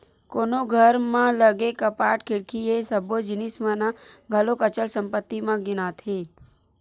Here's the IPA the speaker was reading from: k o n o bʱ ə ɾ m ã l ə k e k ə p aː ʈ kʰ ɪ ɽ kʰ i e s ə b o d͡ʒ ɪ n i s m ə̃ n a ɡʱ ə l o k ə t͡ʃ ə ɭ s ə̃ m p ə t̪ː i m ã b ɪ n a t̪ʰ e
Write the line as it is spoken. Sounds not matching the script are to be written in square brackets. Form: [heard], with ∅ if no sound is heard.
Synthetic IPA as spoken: k o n o [ɡʱ] ə ɾ m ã l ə [ɡ] e k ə p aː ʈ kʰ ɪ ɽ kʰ i e s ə b o d͡ʒ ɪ n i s m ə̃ n a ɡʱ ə l o k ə t͡ʃ ə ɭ s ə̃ m p ə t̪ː i m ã [ɡ] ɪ n a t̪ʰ e